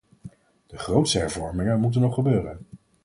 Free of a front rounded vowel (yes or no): no